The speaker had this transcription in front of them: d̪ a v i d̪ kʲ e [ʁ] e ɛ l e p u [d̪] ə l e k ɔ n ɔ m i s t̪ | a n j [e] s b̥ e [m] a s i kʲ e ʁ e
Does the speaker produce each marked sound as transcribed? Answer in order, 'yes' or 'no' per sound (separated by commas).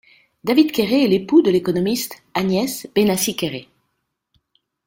yes, yes, no, no